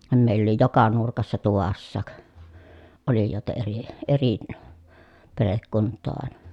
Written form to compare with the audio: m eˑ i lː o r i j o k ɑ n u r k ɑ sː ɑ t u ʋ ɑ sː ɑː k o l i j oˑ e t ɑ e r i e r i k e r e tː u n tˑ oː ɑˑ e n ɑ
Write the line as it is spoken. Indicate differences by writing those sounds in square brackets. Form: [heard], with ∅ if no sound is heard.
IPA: m eˑ i lː o [l] i j o k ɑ n u r k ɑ sː ɑ t u ʋ ɑ sː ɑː k o l i j oˑ e t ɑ e r i e r i [p] e r e [kː] u n tˑ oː ɑˑ e n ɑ